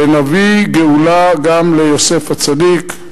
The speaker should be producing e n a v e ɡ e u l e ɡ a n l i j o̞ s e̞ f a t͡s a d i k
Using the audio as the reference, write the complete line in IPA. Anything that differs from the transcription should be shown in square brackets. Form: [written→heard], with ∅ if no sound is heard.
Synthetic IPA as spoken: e n a v [e→i] ɡ e u l [e→a] ɡ a [n→m] l [i→e] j o̞ s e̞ f a t͡s a d i k